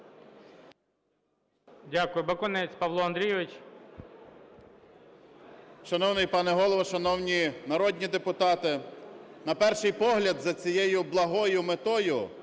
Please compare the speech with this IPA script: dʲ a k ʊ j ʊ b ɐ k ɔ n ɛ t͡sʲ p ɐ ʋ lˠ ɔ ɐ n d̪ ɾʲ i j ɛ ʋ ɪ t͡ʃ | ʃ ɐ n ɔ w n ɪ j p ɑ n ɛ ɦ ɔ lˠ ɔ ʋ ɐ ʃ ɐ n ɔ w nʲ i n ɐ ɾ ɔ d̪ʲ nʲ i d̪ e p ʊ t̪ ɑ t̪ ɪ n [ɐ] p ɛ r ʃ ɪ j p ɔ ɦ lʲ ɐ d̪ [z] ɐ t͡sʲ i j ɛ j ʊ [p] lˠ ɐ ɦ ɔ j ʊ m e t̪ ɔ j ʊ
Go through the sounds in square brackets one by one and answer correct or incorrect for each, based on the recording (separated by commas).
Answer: correct, correct, incorrect